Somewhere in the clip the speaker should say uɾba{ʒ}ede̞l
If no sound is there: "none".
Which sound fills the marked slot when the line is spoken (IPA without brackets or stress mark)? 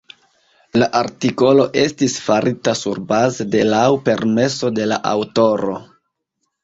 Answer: z